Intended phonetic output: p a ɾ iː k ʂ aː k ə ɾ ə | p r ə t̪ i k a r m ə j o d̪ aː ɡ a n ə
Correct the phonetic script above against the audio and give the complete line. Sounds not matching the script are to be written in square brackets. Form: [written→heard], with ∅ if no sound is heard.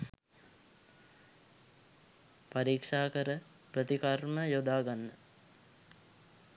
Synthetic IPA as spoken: p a ɾ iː k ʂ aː k ə ɾ ə | p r ə t̪ i k a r m ə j o d̪ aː ɡ a [n→nː] ə